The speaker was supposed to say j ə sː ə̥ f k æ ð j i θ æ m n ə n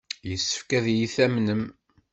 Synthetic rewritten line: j ə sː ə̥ f k æ ð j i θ æ m n ə m